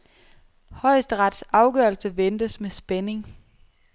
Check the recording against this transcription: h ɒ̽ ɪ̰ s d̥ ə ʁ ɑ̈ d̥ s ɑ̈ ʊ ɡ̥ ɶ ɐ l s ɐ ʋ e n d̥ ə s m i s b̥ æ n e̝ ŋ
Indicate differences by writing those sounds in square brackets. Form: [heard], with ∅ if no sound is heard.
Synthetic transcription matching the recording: h ɒ̽ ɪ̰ s d̥ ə ʁ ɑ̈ d̥ s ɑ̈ ʊ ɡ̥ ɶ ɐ l s [ə] ʋ e n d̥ ə s m [e] s b̥ [e] n e̝ ŋ